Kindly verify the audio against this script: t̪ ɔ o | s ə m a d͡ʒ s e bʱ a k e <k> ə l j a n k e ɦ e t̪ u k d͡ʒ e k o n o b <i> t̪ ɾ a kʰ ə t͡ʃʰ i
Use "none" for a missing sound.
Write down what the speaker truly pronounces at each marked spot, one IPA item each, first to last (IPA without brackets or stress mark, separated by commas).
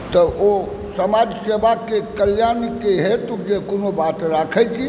k, a